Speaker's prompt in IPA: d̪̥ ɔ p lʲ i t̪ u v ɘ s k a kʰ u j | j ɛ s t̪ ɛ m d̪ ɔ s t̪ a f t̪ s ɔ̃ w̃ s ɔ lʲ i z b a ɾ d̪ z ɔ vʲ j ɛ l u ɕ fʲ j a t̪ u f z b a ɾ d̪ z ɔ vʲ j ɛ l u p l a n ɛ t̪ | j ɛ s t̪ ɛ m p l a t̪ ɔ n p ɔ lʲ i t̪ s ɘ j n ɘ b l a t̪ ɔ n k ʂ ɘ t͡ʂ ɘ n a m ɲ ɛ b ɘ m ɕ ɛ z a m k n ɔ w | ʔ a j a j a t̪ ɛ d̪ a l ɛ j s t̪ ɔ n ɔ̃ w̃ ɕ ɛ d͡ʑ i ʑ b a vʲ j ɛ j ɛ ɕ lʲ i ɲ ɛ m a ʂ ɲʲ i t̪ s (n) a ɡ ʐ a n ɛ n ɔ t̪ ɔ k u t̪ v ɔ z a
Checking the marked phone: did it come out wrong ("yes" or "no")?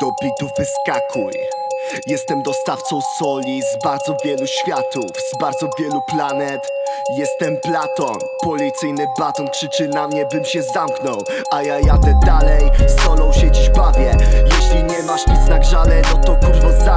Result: no